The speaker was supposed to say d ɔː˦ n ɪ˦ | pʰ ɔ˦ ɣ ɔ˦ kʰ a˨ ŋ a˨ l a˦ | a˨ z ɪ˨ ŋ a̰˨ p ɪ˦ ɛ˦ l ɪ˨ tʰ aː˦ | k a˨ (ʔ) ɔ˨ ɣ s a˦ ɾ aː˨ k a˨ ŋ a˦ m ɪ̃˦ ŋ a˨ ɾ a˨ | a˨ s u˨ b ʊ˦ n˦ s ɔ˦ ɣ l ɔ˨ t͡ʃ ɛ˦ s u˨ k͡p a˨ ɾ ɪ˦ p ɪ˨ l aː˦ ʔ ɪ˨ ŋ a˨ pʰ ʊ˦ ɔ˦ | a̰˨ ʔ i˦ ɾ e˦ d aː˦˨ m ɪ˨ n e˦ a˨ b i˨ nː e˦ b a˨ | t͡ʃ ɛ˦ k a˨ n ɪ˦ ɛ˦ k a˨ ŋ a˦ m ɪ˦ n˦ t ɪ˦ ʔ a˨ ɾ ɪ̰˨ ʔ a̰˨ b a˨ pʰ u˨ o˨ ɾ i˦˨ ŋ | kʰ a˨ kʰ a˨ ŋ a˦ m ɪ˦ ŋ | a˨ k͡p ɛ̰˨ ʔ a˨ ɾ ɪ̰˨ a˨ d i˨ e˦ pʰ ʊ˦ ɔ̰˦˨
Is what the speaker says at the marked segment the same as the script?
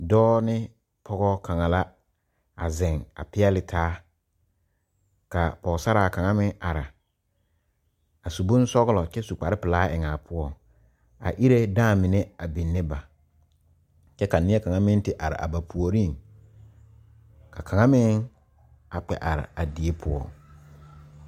no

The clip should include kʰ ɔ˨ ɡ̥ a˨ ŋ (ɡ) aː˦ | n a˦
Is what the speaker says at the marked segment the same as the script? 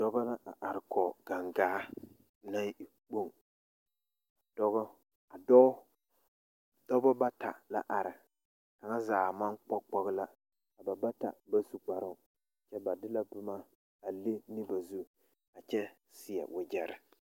yes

